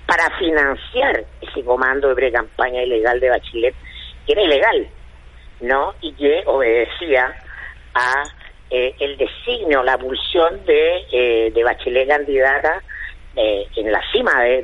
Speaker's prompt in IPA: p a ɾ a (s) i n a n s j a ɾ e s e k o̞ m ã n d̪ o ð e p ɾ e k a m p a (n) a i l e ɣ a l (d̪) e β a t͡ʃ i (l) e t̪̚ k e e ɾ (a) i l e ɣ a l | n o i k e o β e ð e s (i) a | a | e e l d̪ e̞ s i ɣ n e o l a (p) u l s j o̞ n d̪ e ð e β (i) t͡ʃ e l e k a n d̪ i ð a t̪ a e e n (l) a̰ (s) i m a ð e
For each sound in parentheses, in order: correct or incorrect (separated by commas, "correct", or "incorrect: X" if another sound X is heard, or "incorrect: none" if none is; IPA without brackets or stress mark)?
incorrect: f, incorrect: ɲ, correct, correct, correct, correct, correct, incorrect: a, correct, correct